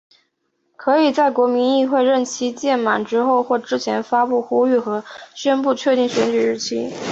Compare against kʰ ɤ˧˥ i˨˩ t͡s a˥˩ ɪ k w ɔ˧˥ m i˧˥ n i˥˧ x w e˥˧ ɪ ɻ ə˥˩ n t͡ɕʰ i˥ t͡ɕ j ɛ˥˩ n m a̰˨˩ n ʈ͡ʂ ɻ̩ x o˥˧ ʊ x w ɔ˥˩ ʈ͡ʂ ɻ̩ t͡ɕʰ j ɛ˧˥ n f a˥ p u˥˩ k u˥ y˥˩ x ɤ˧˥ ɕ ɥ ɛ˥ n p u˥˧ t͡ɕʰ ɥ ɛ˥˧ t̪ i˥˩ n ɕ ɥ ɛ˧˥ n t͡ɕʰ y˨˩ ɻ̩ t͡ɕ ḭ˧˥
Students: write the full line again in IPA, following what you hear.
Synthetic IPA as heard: kʰ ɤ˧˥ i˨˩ t͡s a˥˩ ɪ k w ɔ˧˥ m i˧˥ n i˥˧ x w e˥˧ ɪ ɻ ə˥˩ n t͡ɕʰ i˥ t͡ɕ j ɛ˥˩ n m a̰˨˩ n ʈ͡ʂ ɻ̩ x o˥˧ ʊ x w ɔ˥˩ ʈ͡ʂ ɻ̩ t͡ɕʰ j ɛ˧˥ n f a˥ p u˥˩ x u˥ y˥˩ x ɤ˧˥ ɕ ɥ ɛ˥ n p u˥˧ t͡ɕʰ ɥ ɛ˥˧ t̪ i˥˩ ŋ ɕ ɥ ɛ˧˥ n t͡ɕ y˨˩ ɻ̩ t͡ɕʰ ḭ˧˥